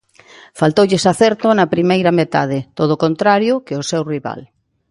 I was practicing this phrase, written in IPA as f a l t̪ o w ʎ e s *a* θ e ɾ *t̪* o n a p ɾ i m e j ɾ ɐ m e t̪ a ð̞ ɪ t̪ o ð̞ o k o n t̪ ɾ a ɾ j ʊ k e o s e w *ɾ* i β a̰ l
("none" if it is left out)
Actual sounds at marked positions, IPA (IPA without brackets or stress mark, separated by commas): a, t̪, r